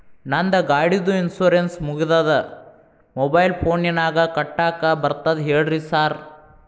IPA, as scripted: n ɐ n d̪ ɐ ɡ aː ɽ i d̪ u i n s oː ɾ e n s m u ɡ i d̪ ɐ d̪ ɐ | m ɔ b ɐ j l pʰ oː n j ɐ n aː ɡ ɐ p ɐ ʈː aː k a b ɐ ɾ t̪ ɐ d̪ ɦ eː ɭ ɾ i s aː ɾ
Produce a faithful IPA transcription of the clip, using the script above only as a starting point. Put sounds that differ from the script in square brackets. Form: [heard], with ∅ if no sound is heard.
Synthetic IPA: n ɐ n d̪ ɐ ɡ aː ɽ i d̪ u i n s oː ɾ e n s m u ɡ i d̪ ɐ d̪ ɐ | m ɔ b ɐ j l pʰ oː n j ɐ n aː ɡ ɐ [k] ɐ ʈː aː k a b ɐ ɾ t̪ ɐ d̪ ɦ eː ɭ ɾ i s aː ɾ